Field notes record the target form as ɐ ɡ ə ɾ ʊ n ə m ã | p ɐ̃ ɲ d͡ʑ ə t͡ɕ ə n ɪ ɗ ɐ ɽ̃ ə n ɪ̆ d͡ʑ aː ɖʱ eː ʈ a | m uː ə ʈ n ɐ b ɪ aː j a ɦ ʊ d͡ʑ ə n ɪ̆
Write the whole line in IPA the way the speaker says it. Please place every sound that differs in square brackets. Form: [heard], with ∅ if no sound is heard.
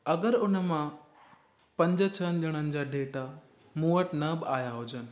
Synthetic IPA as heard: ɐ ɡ ə ɾ ʊ n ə m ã | p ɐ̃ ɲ d͡ʑ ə [t͡ɕʰ] ə n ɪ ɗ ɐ ɽ̃ ə n ɪ̆ d͡ʑ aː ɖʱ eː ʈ a | m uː ə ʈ n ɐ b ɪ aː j a ɦ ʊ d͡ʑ ə n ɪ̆